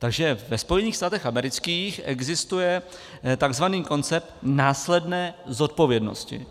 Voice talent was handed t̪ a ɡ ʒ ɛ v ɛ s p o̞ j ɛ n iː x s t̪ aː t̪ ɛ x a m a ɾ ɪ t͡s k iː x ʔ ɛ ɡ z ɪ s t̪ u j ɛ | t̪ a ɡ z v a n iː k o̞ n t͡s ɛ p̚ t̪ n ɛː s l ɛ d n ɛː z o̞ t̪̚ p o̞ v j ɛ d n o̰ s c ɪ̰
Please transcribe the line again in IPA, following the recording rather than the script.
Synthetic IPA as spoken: t̪ a ɡ ʒ ɛ v ɛ s p o̞ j ɛ n iː x s t̪ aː t̪ ɛ x a m ɛ ɾ ɪ t͡s k iː x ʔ ɛ ɡ z ɪ s t̪ u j ɛ | t̪ a ɡ z v a n iː k o̞ n t͡s ɛ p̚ t̪ n aː s l ɛ d n ɛː z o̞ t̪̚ p o̞ v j ɛ d n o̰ s c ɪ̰